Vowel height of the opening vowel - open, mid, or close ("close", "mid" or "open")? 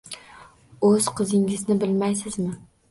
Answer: mid